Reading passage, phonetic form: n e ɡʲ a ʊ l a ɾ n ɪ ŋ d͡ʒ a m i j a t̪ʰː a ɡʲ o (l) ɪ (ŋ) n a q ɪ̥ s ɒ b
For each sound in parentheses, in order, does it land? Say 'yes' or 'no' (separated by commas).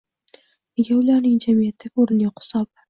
no, no